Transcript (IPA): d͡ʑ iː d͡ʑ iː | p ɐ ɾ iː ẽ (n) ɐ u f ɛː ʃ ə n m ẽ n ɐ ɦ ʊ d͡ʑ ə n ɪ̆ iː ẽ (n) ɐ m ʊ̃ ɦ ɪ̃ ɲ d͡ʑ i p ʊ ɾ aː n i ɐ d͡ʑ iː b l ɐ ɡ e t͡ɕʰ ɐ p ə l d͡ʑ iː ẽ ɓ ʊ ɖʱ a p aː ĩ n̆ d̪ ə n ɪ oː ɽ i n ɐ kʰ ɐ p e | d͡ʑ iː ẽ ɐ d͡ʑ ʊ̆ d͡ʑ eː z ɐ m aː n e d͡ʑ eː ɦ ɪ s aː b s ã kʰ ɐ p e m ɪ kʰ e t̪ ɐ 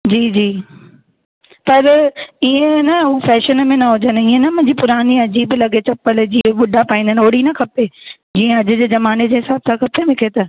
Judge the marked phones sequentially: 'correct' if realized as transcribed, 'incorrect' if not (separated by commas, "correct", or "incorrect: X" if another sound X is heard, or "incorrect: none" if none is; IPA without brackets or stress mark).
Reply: correct, correct